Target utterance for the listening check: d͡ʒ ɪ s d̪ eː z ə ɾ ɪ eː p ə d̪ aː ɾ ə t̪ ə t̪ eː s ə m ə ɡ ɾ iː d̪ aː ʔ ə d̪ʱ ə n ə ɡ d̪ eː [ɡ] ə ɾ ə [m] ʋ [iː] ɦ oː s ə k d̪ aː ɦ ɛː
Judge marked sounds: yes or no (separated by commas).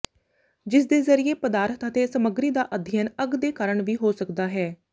no, no, yes